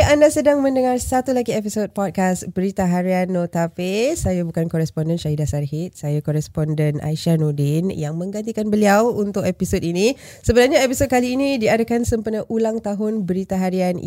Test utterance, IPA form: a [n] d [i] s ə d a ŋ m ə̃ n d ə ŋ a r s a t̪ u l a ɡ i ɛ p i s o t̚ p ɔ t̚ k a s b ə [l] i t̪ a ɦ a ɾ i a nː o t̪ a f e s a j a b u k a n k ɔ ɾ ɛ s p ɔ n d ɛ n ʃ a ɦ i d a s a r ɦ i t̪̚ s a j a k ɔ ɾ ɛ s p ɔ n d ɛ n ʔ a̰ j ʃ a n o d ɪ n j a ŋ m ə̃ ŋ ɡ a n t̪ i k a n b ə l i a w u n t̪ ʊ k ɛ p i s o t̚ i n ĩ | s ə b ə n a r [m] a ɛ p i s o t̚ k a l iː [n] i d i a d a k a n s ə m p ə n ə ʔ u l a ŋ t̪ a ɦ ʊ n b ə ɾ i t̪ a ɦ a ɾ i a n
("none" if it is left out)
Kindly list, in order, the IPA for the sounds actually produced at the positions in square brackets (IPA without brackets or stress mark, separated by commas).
n, a, ɾ, ɲ, n